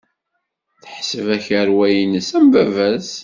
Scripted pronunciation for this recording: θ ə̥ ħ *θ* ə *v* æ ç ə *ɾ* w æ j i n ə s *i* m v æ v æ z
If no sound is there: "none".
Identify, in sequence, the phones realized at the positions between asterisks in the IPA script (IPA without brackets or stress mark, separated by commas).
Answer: s, v, ɾ, æ